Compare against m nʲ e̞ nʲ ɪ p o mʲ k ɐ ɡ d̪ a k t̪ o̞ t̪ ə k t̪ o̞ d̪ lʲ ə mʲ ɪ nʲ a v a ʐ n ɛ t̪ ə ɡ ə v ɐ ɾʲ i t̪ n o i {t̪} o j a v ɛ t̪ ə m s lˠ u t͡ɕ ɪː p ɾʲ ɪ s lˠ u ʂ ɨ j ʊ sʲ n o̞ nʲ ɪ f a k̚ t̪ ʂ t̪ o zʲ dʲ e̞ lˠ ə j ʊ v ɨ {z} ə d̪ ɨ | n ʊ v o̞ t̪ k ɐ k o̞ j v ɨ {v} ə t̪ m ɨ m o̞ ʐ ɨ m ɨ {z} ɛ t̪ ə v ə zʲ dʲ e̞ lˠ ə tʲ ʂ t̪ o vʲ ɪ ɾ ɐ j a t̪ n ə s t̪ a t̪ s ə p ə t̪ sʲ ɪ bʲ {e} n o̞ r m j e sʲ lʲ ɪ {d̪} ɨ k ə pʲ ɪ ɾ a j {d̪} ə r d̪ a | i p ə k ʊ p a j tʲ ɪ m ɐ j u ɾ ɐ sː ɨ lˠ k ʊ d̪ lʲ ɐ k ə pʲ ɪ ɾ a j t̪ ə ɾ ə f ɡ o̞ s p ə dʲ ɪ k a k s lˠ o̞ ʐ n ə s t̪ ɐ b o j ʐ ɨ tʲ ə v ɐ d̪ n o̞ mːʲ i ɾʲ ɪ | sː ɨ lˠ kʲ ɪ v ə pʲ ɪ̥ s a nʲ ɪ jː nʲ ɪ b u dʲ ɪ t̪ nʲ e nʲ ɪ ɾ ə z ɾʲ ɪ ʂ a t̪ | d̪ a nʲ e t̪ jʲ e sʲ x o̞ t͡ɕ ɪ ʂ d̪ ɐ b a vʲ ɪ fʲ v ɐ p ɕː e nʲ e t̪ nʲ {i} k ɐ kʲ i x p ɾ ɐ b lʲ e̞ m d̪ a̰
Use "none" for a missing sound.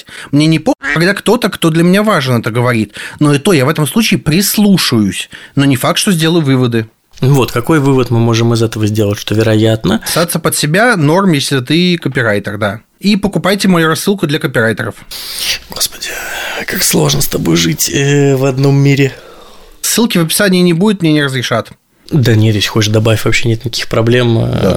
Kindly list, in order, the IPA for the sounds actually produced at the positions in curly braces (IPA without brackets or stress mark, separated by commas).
t̪, v, v, z, a, t̪, t̪, ɪ